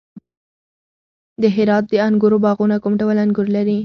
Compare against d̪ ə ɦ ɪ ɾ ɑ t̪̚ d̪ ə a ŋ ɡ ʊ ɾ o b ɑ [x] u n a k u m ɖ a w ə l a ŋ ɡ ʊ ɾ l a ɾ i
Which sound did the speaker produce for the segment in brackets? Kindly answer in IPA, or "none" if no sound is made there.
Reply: ɣ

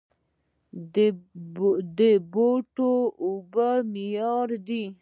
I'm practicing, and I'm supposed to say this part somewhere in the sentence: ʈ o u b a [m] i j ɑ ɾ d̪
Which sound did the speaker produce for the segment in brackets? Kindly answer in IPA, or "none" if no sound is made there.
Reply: m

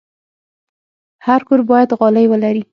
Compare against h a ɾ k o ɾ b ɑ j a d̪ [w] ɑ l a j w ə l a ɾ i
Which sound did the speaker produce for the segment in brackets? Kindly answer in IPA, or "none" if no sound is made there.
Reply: ɣ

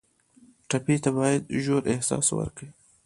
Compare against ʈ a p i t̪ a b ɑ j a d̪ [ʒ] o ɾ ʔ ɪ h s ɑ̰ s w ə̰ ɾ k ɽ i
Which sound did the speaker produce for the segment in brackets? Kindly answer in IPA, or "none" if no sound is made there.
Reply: ʒ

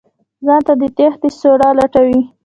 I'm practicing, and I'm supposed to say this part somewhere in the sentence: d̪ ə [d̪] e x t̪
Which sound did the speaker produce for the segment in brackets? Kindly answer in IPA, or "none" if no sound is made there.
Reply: t̪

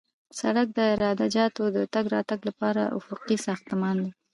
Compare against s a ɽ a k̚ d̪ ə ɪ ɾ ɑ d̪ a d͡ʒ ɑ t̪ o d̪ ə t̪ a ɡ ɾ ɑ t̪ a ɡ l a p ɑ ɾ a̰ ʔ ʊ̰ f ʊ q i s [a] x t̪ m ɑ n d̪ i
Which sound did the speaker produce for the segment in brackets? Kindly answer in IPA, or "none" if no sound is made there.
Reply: ɑ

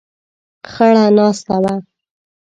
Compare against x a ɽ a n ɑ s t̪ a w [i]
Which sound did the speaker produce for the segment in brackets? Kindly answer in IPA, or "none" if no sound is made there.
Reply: a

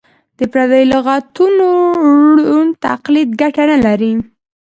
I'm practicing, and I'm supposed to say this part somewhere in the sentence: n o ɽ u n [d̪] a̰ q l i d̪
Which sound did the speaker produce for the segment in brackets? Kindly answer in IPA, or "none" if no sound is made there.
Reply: t̪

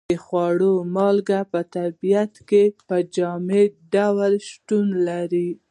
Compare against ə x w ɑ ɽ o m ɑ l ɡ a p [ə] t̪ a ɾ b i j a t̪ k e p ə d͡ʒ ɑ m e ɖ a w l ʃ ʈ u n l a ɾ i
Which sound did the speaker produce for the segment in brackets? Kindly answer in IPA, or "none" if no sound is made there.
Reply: ə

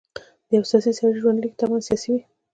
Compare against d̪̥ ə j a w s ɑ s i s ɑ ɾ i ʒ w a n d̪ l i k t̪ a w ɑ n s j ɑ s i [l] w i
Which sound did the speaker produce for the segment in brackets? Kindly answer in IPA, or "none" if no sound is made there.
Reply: none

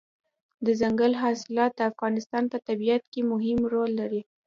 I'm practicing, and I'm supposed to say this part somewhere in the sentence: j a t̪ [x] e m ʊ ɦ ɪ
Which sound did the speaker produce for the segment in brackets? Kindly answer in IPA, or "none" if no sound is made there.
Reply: k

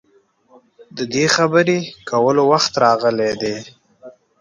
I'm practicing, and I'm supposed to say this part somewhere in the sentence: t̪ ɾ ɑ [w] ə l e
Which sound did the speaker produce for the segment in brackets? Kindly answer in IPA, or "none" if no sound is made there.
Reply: ɣ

